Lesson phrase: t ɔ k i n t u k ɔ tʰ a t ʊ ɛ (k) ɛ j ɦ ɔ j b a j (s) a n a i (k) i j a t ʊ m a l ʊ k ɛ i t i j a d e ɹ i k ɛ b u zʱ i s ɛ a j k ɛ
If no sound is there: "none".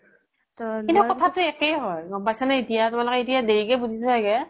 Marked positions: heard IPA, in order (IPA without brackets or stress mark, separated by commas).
k, s, t